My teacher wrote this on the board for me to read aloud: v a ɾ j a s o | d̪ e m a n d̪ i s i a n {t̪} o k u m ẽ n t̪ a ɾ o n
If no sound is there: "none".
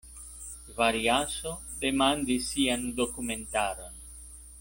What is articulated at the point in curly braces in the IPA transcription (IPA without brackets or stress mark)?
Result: d̪